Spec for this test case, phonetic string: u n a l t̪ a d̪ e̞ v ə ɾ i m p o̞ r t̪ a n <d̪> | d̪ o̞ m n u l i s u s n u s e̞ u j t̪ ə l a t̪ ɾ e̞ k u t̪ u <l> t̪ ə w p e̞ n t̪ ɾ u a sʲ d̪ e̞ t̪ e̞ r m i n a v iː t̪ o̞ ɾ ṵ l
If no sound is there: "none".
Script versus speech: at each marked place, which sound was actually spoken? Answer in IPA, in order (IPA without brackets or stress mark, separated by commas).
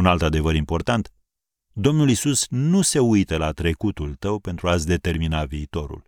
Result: t̪, l